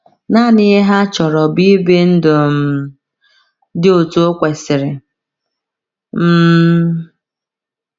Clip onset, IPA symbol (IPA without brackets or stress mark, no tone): n